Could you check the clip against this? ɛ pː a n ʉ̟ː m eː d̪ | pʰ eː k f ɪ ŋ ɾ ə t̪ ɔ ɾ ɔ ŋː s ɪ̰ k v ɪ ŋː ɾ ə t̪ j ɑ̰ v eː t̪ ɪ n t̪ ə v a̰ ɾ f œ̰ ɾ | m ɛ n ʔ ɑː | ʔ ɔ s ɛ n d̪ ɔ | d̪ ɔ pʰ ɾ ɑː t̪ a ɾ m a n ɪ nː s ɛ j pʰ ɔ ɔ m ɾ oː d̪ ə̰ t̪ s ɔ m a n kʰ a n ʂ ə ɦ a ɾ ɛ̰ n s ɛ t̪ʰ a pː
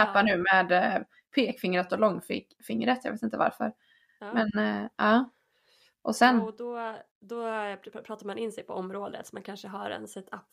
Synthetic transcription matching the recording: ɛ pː a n ʉ̟ː m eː d̪ | pʰ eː k f ɪ ŋ ɾ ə t̪ ɔ l ɔ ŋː f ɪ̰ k f ɪ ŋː ɾ ə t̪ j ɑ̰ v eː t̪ ɪ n t̪ ə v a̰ ɾ f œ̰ ɾ | m ɛ n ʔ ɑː | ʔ ɔ s ɛ n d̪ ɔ | d̪ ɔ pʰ ɾ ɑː t̪ a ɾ m a n ɪ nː s ɛ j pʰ ɔ ɔ m ɾ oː d̪ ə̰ t̪ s ɔ m a n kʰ a n ʂ ə ɦ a ɾ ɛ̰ n s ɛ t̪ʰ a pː